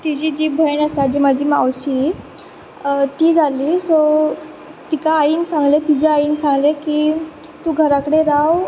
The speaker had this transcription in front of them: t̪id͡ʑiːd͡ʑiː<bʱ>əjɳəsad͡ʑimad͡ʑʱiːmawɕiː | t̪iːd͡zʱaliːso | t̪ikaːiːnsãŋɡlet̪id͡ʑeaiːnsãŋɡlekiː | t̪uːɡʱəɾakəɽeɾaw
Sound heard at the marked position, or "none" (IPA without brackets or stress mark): bʱ